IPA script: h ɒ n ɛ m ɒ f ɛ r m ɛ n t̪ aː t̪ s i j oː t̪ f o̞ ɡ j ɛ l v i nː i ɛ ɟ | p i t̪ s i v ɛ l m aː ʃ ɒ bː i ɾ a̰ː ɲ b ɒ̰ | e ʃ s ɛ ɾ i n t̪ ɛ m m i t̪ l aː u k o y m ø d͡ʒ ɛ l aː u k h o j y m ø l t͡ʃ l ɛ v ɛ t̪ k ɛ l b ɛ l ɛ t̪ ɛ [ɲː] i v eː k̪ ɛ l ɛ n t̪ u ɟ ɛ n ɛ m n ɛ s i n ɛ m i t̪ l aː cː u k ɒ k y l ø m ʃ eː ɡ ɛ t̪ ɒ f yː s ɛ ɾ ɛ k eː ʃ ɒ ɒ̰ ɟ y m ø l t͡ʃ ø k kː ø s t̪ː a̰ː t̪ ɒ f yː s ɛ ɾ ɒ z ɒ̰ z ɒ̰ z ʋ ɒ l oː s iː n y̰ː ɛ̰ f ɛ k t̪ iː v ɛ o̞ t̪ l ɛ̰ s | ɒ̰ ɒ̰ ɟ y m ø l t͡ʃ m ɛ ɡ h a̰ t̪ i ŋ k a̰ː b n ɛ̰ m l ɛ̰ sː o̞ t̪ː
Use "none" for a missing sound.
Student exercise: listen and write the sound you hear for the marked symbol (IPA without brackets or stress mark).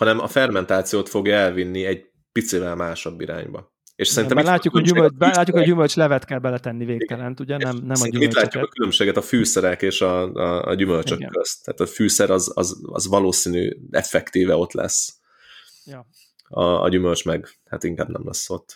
nː